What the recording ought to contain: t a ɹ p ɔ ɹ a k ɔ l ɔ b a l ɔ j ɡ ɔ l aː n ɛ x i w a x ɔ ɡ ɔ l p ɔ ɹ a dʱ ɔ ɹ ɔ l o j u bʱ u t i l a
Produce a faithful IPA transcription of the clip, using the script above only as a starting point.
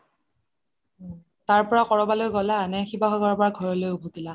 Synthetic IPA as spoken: t a ɹ p ɔ ɹ a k ɔ ɹ ɔ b a l o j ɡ ɔ l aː n ɛ x i b a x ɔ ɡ ɔ ɹ p ɔ ɹ a ɡʱ ɔ ɹ ɔ l o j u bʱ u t i l a